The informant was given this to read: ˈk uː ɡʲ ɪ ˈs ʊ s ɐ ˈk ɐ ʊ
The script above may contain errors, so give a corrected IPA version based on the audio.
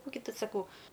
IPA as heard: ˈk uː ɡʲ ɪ ˈt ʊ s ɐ ˈk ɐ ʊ